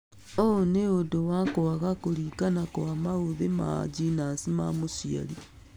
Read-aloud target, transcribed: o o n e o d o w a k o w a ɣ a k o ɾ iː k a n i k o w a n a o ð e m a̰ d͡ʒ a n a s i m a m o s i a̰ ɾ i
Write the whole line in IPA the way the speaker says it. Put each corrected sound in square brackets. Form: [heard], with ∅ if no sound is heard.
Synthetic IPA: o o n e o d o w a k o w a ɣ a k o ɾ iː k a n [a] k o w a [m] a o ð e m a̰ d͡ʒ [i] n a s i m a m o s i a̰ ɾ i